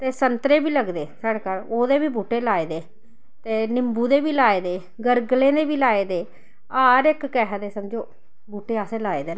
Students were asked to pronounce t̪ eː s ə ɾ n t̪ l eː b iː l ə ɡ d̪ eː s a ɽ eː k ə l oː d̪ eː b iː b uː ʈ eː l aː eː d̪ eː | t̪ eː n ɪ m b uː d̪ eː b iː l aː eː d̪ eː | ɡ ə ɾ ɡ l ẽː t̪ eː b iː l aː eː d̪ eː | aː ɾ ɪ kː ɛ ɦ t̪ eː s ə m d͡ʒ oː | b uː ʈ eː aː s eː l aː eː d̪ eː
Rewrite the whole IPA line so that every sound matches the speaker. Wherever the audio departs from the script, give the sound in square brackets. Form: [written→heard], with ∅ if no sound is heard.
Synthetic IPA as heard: t̪ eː s ə [ɾ→∅] n t̪ [l→ɾ] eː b iː l ə ɡ d̪ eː s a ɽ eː k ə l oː d̪ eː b iː b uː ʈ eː l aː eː d̪ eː | t̪ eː n ɪ m b uː d̪ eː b iː l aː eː d̪ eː | ɡ ə ɾ ɡ l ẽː [t̪→d̪] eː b iː l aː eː d̪ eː | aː ɾ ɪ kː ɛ ɦ [t̪→d̪] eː s ə m d͡ʒ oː | b uː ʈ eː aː s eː l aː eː d̪ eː